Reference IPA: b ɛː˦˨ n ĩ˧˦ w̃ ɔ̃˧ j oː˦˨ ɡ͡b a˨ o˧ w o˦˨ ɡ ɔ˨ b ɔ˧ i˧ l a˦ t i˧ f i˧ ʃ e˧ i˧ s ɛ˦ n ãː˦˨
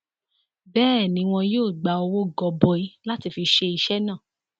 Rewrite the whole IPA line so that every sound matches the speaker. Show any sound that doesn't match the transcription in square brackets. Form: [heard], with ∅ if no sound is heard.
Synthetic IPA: b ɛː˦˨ n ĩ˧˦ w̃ ɔ̃˧ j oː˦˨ ɡ͡b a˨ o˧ w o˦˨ ɡ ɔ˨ b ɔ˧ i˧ l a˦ t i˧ f i˧ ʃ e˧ i˧ [ʃ] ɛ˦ n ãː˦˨